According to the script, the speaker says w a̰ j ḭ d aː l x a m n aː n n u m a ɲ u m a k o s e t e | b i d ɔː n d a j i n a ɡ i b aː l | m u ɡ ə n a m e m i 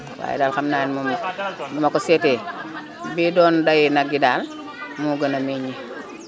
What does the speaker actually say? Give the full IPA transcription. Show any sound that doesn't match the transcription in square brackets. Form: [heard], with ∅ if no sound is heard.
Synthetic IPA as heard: w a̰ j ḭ d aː l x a m n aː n [m] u m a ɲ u m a k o s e t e | b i d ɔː n d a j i n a ɡ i [d] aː l | m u ɡ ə n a m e [ɲ] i